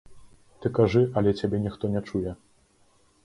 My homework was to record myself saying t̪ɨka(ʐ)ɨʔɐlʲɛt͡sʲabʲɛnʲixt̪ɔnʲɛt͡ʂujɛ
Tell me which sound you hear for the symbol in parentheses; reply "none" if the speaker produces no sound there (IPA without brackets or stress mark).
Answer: ʐ